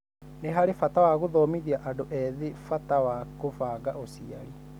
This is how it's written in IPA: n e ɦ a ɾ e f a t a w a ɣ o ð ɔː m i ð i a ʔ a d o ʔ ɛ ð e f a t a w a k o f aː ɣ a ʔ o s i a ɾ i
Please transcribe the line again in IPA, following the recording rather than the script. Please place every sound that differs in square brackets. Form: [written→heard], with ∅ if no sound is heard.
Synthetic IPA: n e ɦ a ɾ e f a t a w a ɣ o ð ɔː m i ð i a ʔ a d o ʔ ɛ ð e f a t a w a k o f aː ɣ a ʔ o s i a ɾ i

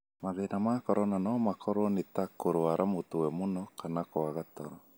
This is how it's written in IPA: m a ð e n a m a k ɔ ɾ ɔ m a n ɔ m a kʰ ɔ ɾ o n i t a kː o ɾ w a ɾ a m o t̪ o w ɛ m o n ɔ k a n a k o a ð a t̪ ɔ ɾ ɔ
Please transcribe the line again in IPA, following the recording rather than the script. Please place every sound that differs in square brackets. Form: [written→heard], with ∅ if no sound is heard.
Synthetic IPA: m a ð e n a m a k ɔ ɾ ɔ [m→n] a n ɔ m a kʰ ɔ ɾ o n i t a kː o ɾ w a ɾ a m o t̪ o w ɛ m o n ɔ k a n a k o a [ð→ɣ] a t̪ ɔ ɾ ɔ

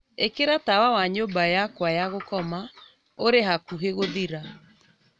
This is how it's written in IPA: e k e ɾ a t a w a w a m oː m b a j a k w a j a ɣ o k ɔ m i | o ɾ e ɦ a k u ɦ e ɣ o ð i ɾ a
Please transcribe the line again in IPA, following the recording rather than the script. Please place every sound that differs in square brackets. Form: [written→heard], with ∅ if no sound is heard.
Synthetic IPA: e k e ɾ a t a w a w a [m→ɲ] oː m b a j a k w a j a ɣ o k ɔ m [i→a] | o ɾ e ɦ a k u ɦ e ɣ o ð i ɾ a

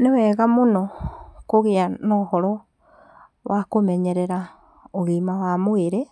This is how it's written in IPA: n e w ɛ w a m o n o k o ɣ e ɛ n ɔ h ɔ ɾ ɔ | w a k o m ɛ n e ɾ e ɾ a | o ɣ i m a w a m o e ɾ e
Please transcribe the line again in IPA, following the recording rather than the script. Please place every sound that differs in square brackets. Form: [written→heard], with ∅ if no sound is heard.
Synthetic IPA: n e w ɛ [w→ɣ] a m o n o k o ɣ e [ɛ→a] n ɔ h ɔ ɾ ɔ | w a k o m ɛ [n→ɲ] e ɾ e ɾ a | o ɣ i m a w a m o e ɾ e

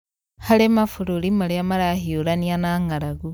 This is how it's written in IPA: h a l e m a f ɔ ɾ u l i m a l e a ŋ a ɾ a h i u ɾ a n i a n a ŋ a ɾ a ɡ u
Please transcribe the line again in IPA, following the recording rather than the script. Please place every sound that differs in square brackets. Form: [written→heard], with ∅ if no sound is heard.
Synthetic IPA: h a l e m a f [ɔ→u] ɾ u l i m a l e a [ŋ→m] a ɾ a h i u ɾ a n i a n a ŋ a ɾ a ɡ u

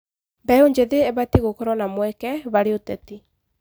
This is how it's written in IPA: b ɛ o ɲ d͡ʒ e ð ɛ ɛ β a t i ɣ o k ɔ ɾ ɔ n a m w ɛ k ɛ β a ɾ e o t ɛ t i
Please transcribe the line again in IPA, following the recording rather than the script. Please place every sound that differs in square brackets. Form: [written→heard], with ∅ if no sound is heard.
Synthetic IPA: b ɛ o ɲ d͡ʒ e ð [ɛ→e] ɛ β a t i ɣ o k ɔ ɾ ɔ n a m w ɛ k ɛ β a ɾ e o t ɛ t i

